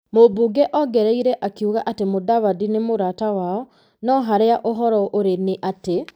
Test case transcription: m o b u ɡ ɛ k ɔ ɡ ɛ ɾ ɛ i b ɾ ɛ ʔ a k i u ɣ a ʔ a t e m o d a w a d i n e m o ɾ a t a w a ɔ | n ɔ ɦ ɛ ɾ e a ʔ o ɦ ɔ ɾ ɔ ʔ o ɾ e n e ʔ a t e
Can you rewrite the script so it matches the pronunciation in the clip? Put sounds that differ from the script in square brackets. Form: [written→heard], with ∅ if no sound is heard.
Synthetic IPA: m o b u ɡ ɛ [k→ʔ] ɔ ɡ ɛ ɾ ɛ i [b→∅] ɾ ɛ ʔ a k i u ɣ a ʔ a t e m o d a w a d i n e m o ɾ a t a w a ɔ | n ɔ ɦ [ɛ→a] ɾ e a ʔ o ɦ ɔ ɾ ɔ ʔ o ɾ e n e ʔ a t e